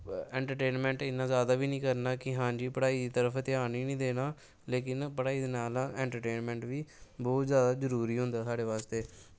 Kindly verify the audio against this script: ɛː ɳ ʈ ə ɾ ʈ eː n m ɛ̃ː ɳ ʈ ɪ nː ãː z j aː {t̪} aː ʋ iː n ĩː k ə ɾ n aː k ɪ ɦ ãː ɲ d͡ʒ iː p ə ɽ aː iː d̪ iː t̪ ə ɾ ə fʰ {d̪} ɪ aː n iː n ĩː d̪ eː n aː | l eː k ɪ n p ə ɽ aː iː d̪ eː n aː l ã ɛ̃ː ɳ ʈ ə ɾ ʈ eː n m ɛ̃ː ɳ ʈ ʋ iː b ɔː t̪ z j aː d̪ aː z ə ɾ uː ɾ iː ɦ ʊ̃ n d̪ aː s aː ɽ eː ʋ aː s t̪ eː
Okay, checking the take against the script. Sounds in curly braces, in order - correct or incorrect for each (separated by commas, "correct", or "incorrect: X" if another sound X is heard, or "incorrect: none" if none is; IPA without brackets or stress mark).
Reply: incorrect: d̪, incorrect: t̪